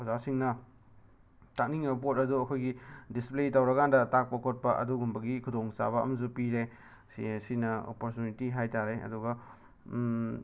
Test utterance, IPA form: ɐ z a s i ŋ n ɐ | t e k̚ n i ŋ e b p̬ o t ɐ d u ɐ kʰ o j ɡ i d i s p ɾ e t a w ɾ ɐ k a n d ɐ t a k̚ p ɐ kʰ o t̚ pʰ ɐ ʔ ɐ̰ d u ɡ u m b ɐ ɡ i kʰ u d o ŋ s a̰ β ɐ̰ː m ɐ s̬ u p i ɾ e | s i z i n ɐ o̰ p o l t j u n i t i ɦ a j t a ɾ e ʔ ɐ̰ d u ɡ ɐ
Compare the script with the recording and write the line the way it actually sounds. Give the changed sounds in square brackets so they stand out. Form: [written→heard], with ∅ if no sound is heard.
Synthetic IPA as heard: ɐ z a s i ŋ n ɐ | t [e→a] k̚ n i ŋ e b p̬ o t ɐ d u ɐ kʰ o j ɡ i d i s p [ɾ→l] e t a w ɾ ɐ k a n d ɐ t a k̚ p ɐ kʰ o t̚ [pʰ→p] ɐ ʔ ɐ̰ d u ɡ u m b ɐ ɡ i kʰ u d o ŋ s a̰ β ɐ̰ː m ɐ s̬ u p i ɾ e | s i [z→s] i n ɐ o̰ p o [l→ɾ] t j u n i t i ɦ a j t a ɾ e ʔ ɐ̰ d u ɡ ɐ